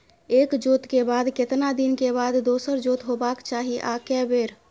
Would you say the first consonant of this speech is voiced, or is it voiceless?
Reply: voiceless